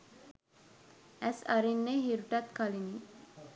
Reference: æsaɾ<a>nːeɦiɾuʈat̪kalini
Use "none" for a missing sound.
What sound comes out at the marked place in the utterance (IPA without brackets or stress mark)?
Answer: i